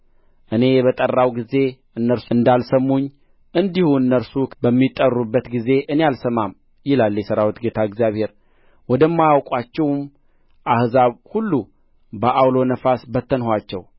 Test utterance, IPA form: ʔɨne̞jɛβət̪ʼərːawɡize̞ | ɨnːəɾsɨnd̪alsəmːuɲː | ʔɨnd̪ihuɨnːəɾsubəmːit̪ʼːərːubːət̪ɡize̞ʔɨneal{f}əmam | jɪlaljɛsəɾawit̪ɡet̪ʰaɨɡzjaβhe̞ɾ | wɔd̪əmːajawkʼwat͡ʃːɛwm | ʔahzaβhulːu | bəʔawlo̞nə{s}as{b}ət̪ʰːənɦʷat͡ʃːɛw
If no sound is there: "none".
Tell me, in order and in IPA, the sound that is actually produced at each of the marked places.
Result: s, f, b

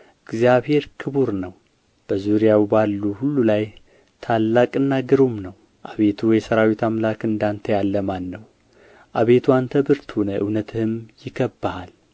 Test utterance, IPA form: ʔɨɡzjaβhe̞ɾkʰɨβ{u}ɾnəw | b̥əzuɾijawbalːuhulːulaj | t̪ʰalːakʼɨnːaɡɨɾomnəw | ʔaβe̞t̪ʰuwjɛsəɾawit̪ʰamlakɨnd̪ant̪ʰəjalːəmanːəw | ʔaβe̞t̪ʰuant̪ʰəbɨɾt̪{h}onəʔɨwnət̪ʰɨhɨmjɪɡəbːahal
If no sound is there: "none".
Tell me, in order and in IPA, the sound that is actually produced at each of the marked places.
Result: u, h

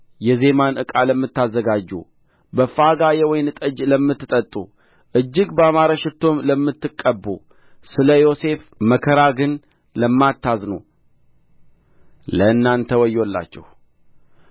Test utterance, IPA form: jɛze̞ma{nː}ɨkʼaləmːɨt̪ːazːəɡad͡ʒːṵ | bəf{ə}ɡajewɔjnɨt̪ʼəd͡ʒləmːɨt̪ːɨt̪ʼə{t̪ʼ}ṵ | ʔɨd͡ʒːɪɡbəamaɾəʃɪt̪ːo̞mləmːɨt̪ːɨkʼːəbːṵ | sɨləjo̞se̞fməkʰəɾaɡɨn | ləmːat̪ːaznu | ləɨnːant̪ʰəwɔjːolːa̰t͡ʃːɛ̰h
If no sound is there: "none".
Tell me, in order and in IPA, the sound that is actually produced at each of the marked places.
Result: n, a, t̪ʼ

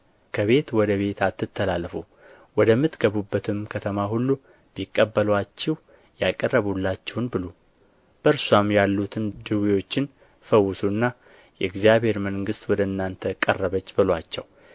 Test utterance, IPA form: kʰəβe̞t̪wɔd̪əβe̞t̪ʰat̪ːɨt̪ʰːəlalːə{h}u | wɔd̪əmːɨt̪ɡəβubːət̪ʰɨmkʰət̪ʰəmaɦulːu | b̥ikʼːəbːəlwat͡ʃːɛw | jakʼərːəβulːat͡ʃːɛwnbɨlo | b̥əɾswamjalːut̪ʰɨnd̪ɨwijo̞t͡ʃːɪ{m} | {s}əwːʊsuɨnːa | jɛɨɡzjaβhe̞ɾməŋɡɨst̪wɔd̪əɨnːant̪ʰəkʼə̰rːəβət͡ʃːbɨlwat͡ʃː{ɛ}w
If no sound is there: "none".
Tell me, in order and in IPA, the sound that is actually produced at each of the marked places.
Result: f, n, f, ɛ

